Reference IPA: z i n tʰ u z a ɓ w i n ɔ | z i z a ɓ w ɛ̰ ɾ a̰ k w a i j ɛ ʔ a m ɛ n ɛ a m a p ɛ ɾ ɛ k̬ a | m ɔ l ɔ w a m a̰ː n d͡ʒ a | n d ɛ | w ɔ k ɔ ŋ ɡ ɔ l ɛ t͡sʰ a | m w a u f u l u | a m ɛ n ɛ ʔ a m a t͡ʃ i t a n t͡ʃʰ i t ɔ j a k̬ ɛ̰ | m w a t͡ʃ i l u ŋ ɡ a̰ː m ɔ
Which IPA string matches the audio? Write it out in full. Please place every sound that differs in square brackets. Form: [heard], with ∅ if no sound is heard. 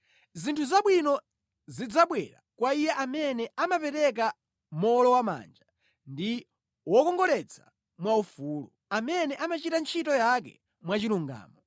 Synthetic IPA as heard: z i n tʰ u z a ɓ w i n ɔ | z i [d͡z] a ɓ w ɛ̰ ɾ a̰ k w a i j ɛ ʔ a m ɛ n ɛ a m a p ɛ ɾ ɛ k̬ a | m ɔ l ɔ w a m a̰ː n d͡ʒ a | n d [i] | w ɔ k ɔ ŋ ɡ ɔ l ɛ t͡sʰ a | m w a u f u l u | a m ɛ n ɛ ʔ a m a t͡ʃ i t a n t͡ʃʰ i t ɔ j a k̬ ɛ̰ | m w a t͡ʃ i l u ŋ ɡ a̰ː m ɔ